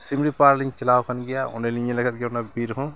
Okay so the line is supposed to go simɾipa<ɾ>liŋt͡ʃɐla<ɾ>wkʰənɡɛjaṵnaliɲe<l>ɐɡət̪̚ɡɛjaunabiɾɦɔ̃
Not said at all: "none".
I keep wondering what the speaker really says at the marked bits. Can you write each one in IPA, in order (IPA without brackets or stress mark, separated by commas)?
ɾ, none, l